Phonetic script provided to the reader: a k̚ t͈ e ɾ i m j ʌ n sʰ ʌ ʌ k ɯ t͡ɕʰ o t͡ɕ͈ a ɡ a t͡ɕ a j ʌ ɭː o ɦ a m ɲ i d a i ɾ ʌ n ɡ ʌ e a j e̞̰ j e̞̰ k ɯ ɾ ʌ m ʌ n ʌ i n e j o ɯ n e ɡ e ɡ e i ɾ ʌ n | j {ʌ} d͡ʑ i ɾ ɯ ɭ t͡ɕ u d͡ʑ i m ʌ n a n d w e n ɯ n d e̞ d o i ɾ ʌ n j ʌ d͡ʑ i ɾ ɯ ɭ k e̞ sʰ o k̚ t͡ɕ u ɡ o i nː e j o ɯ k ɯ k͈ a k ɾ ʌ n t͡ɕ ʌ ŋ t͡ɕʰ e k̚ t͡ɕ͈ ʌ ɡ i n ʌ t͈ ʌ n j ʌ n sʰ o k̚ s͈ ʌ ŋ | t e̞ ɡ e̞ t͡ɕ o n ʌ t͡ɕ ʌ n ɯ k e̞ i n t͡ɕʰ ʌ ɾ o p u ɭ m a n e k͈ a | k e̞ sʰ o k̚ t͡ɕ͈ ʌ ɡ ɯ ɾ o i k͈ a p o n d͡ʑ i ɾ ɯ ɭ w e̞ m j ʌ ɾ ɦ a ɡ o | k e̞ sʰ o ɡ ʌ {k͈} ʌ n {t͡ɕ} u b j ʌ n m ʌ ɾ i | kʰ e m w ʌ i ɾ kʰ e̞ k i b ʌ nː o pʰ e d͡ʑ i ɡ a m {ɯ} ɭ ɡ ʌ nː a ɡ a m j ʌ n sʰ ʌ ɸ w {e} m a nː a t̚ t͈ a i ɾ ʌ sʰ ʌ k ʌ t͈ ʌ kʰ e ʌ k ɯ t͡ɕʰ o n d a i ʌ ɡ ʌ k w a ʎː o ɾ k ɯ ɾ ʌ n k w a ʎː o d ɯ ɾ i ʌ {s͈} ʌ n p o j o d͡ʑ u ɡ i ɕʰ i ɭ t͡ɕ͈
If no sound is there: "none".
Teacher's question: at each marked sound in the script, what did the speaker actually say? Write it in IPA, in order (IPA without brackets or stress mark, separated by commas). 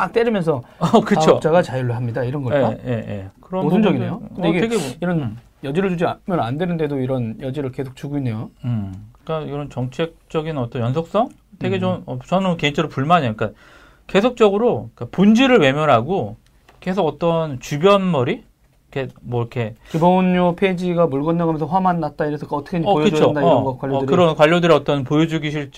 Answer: ʌ, t͈, t͡ɕ, u, a, t͈